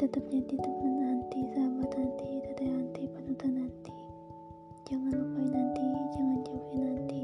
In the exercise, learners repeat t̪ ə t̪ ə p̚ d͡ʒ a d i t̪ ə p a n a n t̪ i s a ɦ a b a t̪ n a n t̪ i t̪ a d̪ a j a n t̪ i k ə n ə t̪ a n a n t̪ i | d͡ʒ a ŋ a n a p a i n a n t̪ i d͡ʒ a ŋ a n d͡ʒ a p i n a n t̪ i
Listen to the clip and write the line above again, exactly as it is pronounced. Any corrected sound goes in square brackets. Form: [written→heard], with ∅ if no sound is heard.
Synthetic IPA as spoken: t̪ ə t̪ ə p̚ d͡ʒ a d i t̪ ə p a n a n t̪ i s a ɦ a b a t̪ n a n t̪ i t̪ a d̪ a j a n t̪ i [k→p] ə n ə t̪ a n a n t̪ i | d͡ʒ a ŋ a n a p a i n a n t̪ i d͡ʒ a ŋ a n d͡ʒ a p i n a n t̪ i